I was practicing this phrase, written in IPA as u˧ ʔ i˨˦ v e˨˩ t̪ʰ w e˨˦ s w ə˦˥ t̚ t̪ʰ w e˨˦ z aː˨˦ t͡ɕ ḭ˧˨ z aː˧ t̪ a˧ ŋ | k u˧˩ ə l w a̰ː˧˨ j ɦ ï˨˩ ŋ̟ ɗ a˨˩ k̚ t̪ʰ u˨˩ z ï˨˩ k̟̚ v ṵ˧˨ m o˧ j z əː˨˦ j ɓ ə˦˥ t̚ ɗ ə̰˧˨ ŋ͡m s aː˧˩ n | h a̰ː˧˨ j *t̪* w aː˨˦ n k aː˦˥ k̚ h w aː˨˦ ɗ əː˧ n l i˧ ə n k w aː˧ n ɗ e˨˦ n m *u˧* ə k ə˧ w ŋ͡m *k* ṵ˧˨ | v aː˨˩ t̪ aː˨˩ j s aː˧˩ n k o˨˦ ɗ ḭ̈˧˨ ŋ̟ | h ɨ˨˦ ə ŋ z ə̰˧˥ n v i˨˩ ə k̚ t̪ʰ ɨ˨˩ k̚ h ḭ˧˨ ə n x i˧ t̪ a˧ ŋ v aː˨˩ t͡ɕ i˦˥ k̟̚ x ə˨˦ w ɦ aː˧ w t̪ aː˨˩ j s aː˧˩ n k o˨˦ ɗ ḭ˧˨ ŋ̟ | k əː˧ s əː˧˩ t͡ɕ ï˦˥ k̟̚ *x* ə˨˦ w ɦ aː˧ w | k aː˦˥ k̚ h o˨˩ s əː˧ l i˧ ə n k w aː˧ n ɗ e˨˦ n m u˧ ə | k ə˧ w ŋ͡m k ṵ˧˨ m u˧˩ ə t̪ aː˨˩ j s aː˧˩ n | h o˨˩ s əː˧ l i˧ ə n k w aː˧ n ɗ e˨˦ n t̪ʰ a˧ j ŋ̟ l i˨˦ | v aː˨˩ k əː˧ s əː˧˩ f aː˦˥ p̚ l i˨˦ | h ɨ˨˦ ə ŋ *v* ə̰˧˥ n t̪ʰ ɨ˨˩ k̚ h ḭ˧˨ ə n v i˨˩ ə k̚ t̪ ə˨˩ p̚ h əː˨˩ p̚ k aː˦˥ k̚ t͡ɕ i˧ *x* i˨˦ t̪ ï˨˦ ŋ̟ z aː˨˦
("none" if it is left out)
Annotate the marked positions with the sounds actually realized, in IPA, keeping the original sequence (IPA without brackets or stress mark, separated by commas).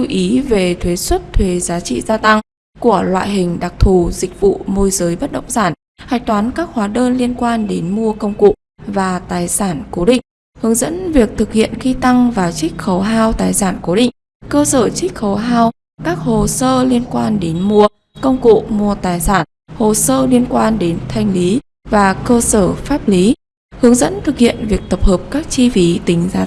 t̪, u˧, k, x, z, f